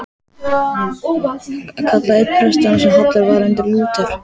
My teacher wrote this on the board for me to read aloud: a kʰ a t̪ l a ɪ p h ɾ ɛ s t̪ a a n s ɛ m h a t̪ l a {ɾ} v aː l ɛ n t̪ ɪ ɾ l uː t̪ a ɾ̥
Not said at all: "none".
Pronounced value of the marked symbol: ɾ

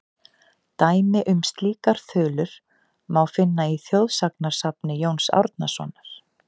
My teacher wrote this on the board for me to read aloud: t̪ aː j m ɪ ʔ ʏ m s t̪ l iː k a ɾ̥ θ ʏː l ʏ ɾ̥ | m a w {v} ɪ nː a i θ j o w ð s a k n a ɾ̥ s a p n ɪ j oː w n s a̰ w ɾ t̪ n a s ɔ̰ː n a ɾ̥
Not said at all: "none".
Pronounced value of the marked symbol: f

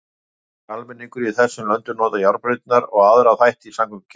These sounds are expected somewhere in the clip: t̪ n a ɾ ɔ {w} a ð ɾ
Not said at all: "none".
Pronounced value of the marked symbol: ɣ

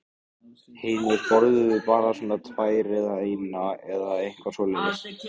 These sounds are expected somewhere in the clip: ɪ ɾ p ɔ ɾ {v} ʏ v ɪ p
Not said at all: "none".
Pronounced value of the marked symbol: ð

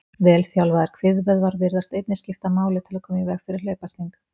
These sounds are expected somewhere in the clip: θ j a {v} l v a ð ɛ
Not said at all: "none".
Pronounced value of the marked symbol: w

